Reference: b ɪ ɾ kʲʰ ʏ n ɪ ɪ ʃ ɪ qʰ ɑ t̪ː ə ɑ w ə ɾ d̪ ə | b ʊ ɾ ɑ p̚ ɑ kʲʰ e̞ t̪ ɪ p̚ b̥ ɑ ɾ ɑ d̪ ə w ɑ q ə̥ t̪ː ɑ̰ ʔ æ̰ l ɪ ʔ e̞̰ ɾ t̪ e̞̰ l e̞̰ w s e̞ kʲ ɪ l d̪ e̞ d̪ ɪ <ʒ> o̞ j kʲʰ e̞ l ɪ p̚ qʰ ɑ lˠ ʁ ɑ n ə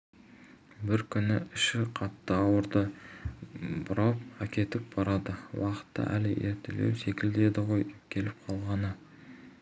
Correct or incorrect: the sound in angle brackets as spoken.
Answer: incorrect: ʁ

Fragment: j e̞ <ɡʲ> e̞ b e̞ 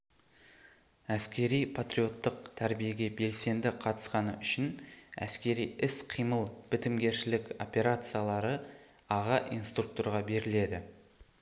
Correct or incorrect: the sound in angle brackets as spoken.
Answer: correct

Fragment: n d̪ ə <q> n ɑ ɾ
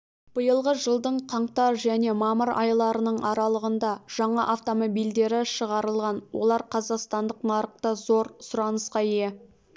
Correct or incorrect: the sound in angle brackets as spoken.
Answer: correct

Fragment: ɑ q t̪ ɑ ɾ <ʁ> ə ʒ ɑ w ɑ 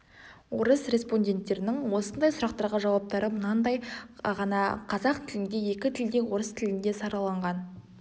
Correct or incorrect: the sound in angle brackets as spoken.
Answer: correct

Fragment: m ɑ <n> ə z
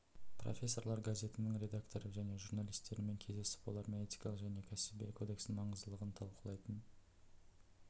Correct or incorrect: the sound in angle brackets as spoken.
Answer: incorrect: ɴ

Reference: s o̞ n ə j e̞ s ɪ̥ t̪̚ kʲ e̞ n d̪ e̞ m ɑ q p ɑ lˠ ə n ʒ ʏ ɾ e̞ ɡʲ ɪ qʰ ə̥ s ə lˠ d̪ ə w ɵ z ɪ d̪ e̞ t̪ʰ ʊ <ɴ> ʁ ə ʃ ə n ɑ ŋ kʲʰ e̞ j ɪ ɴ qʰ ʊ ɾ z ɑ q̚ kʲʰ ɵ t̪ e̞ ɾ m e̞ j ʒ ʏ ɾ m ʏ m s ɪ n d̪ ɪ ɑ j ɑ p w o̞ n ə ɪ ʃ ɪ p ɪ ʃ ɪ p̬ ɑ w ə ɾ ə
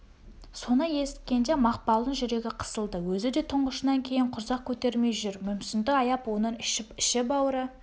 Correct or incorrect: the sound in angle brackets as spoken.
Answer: correct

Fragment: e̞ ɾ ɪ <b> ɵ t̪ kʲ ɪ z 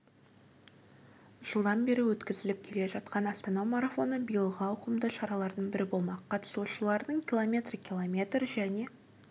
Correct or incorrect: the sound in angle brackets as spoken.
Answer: incorrect: w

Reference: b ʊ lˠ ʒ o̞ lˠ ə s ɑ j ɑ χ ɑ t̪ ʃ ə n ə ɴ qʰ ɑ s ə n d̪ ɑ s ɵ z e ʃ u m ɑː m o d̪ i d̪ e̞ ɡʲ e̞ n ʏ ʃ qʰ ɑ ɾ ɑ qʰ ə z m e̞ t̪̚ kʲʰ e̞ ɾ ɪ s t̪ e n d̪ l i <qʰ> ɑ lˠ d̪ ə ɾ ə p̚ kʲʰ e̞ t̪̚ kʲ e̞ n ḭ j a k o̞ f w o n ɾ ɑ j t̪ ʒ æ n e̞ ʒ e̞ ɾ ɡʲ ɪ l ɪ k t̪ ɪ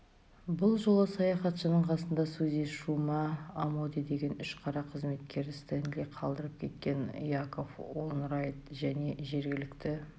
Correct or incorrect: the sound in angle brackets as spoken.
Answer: correct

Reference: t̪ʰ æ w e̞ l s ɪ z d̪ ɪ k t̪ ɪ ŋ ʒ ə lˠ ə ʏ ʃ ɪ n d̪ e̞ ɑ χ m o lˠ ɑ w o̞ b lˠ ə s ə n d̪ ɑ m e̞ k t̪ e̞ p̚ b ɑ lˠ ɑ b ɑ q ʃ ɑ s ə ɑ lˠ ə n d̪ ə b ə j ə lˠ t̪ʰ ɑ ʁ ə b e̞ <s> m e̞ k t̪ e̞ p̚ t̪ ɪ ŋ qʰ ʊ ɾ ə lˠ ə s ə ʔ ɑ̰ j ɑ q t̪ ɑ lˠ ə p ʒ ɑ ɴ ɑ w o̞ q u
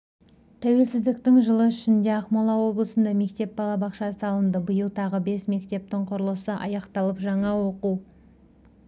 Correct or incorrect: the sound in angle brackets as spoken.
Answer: correct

